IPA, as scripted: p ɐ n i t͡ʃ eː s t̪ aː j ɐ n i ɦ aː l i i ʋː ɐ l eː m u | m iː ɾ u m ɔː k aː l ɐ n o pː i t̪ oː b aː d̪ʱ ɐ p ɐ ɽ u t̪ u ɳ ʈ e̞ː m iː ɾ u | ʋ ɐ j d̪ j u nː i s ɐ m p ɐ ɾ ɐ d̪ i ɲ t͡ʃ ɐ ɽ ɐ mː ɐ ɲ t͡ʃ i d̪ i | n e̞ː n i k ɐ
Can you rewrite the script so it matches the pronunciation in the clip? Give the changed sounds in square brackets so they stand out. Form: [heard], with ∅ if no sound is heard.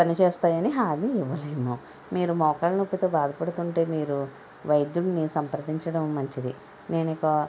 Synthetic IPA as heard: p ɐ n i t͡ʃ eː s t̪ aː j ɐ n i ɦ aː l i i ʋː ɐ l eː m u | m iː ɾ u m ɔː k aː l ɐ n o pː i t̪ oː b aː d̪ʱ ɐ p ɐ ɽ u t̪ u ɳ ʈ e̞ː m iː ɾ u | ʋ ɐ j d̪ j u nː i s ɐ m p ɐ ɾ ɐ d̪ i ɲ t͡ʃ ɐ ɽ ɐ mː ɐ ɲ t͡ʃ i d̪ i | n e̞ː n i k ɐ